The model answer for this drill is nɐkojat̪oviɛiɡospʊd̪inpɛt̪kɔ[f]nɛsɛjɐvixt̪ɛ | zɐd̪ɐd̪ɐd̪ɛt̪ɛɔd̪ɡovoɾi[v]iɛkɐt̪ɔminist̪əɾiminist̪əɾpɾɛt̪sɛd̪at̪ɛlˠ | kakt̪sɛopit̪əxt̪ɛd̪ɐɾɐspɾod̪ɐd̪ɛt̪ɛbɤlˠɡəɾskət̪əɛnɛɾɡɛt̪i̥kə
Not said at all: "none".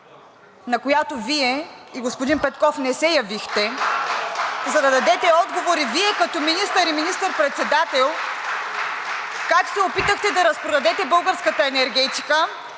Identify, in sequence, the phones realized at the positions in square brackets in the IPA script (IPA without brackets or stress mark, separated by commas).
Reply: f, v